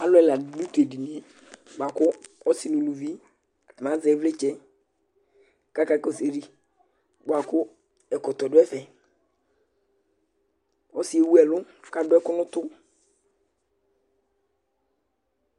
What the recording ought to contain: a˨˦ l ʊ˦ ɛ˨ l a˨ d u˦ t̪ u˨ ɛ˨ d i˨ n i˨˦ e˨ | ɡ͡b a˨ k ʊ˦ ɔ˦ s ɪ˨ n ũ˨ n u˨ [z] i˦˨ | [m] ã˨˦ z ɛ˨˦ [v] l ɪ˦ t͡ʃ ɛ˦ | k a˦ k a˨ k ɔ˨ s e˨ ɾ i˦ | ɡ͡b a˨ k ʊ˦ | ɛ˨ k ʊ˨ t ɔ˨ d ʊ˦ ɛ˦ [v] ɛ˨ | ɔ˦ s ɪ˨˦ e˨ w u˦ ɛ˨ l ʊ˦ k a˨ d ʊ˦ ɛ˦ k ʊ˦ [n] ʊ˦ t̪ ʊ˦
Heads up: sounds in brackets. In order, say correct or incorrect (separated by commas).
incorrect, correct, correct, incorrect, correct